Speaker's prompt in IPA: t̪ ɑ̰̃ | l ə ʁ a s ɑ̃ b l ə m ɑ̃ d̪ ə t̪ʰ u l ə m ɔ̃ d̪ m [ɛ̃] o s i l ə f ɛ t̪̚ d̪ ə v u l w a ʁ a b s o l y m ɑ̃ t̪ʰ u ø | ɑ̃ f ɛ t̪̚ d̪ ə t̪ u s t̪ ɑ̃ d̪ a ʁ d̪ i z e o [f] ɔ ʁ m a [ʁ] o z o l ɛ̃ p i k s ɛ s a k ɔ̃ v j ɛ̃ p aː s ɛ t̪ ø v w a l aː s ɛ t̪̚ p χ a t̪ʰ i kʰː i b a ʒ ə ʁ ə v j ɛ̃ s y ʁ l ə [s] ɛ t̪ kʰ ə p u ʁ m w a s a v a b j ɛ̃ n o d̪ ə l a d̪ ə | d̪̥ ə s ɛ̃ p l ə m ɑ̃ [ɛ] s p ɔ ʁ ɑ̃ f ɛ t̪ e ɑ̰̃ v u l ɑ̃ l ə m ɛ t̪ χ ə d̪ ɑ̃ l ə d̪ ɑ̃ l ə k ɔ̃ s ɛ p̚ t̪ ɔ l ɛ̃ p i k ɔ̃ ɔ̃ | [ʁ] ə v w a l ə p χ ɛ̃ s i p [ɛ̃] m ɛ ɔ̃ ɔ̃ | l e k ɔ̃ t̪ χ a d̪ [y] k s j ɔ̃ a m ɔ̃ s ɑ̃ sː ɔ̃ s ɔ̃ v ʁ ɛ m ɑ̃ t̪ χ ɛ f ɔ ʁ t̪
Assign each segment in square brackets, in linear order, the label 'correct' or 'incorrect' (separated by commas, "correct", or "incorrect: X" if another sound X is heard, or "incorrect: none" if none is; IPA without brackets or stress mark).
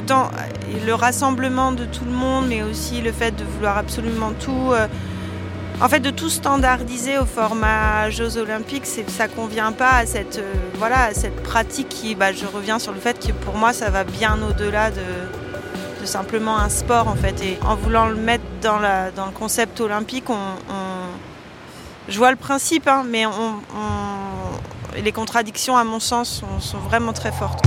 incorrect: ɛ, correct, incorrect: ʒ, incorrect: f, incorrect: ɛ̃, incorrect: ʒ, correct, incorrect: i